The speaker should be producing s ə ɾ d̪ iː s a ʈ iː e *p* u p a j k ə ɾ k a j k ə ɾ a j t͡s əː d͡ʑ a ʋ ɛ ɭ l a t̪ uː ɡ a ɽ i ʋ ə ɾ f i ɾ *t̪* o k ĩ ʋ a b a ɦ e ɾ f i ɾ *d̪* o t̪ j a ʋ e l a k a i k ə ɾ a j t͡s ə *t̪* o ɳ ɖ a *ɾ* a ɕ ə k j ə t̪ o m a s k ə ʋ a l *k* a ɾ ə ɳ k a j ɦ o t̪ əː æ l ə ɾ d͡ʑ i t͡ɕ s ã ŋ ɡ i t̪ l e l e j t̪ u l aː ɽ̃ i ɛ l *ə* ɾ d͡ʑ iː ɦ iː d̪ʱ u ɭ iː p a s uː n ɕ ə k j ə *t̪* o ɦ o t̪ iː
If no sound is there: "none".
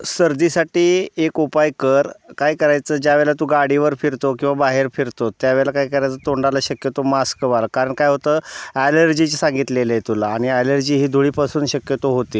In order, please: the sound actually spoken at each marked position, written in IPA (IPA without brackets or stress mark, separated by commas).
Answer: k, t̪, t̪, t̪, l, k, ə, t̪